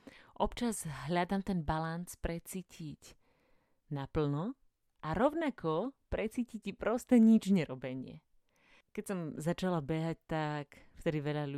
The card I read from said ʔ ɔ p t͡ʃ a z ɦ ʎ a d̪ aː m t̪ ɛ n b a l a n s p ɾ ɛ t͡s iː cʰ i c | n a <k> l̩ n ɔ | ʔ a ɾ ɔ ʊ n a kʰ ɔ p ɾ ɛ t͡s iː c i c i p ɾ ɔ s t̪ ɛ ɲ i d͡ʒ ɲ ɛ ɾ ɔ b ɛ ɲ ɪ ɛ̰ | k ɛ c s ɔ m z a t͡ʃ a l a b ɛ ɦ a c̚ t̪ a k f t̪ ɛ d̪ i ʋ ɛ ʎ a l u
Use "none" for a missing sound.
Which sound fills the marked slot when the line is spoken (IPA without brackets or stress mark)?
p